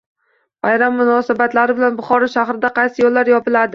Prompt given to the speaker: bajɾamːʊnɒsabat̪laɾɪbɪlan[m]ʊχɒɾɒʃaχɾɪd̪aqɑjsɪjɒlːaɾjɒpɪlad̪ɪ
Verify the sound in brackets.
incorrect: b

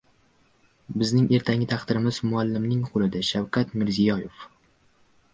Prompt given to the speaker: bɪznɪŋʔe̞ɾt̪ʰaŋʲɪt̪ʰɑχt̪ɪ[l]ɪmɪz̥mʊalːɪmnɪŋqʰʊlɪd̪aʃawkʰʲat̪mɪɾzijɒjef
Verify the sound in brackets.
incorrect: ɾ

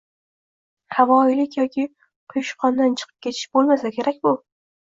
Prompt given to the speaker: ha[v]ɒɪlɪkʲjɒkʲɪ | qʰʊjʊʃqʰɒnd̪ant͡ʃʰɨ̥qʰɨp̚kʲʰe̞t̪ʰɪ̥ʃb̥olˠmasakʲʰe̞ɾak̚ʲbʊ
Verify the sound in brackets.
correct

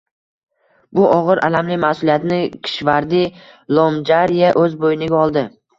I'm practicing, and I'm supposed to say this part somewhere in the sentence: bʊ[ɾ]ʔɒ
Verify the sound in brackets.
incorrect: none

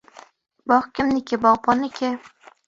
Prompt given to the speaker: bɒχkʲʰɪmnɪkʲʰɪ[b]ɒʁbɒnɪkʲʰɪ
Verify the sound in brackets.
correct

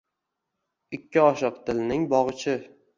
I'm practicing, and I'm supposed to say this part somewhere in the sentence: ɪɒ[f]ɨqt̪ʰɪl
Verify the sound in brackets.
incorrect: ʃ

